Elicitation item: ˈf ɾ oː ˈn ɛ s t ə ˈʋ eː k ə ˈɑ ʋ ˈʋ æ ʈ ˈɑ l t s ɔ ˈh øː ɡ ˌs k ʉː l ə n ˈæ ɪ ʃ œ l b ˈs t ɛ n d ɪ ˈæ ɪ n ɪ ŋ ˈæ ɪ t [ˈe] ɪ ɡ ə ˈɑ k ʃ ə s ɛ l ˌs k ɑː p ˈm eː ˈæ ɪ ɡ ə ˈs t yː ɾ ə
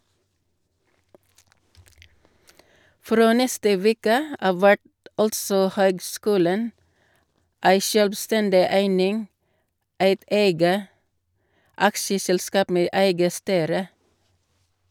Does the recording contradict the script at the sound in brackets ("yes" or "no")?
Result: no